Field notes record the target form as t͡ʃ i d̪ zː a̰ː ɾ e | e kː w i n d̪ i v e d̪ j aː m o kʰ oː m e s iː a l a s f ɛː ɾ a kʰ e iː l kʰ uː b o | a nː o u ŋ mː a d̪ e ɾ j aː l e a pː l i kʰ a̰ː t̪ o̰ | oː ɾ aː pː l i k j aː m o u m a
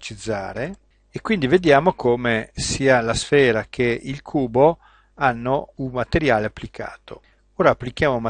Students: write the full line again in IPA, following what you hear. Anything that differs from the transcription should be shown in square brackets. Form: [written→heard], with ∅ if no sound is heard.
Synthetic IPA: t͡ʃ i d̪ zː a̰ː ɾ e | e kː w i n d̪ i v e d̪ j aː m o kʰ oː m e s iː a l a s f ɛː ɾ a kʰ e [iː→i] l kʰ uː b o | a nː o u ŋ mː a [d̪→t̪] e ɾ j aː l e a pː l i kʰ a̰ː t̪ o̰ | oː ɾ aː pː l i k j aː m o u m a